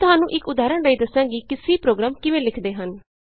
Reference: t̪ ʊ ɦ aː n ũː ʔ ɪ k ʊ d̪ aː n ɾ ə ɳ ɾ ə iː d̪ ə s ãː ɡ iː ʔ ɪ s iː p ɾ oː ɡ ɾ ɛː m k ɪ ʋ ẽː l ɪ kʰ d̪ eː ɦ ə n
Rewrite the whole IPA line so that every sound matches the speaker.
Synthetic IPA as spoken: t̪ ʊ ɦ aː n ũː ʔ ɪ k ʊ d̪ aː ɾ ə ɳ ɾ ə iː d̪ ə s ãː ɡ iː k ɪ s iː p ɾ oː ɡ ɾ aː m k ɪ ʋ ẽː l ɪ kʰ d̪ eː ɦ ə n

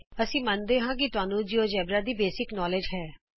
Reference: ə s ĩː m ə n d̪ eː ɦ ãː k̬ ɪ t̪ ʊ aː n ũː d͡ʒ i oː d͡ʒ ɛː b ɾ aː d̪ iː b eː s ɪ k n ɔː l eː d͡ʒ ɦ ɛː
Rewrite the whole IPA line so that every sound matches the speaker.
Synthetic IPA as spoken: ə s ĩː m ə n d̪ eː ɦ ãː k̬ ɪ t̪ ʊ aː n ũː d͡ʒ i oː d͡ʒ ɛː b ɾ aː d̪ iː b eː s ɪ k n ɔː l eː d͡ʒ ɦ ɛː

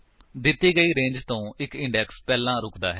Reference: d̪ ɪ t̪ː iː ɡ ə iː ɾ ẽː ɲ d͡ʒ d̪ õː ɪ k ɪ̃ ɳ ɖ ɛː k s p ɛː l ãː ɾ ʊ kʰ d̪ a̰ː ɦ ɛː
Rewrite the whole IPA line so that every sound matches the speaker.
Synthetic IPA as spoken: d̪ ɪ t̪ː iː ɡ ə iː ɾ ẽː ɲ d͡ʒ t̪ õː ɪ k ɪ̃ ɳ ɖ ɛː k s p ɛː l ãː ɾ ʊ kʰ d̪ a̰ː ɦ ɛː

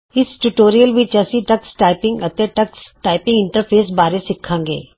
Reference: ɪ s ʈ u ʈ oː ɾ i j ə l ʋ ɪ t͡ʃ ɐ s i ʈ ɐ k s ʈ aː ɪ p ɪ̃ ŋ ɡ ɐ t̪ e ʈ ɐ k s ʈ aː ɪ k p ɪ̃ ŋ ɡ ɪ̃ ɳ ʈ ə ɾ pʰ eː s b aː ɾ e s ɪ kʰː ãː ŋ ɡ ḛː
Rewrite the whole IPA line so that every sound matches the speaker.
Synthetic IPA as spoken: ɪ s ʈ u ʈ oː ɾ i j ə l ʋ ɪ t͡ʃ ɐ s i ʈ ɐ k s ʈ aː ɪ p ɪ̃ ŋ ɡ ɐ t̪ e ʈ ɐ k s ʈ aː ɪ p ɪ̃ ŋ ɡ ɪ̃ ɳ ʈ ə ɾ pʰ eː s b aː ɾ e s ɪ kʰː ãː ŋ ɡ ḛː

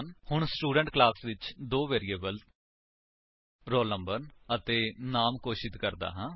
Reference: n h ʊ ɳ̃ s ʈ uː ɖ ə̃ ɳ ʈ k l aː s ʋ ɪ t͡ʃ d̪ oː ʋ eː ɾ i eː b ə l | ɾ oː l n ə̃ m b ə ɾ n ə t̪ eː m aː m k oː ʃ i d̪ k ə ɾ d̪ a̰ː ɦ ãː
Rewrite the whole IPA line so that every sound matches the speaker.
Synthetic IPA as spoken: n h ʊ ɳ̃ s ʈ uː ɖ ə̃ ɳ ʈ k l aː s ʋ ɪ t͡ʃ d̪ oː ʋ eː ɾ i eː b ə l | ɾ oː l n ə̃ m b ə ɾ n ə t̪ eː n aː m k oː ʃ ɪ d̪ k ə ɾ d̪ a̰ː ɦ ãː

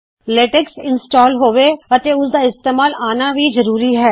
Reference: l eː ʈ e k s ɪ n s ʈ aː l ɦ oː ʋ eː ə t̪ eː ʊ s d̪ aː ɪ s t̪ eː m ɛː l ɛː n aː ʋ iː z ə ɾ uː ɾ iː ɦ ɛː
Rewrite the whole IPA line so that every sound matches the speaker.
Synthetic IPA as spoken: l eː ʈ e k s ɪ n s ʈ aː l ɦ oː ʋ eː ə t̪ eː ʊ s d̪ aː ɪ s t̪ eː m aː l aː n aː ʋ iː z ə ɾ uː ɾ iː ɦ ɛː

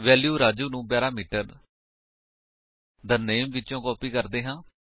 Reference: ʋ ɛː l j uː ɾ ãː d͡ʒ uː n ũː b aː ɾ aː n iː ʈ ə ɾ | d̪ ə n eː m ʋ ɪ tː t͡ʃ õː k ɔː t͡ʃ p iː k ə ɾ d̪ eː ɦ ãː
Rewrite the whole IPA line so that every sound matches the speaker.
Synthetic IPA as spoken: ʋ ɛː l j uː ɾ aː d͡ʒ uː n ũː b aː ɾ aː m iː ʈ ə ɾ | d̪ ə n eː m ʋ ɪ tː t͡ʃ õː k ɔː p iː k ə ɾ d̪ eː ɦ ãː

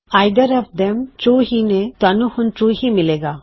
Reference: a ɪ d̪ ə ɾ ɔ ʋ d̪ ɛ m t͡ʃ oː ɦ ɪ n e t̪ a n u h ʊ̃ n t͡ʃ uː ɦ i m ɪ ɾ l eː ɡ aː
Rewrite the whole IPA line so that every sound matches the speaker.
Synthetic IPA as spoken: a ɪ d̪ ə ɾ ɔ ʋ d̪ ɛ m t͡ʃ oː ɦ i n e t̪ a n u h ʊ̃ n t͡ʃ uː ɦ i m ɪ l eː ɡ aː

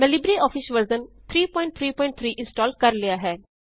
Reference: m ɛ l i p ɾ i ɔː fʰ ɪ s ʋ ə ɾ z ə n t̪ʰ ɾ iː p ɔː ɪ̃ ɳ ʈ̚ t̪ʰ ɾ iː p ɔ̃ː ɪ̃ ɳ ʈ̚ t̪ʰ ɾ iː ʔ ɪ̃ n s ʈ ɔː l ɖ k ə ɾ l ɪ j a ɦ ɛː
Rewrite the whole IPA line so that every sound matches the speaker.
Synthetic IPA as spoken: m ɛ l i b ɾ i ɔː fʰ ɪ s ʋ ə ɾ z ə n t̪ʰ ɾ iː p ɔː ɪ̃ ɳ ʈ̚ t̪ʰ ɾ iː p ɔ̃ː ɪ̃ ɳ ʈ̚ t̪ʰ ɾ iː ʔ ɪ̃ n s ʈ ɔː l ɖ k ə ɾ l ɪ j a ɦ ɛː

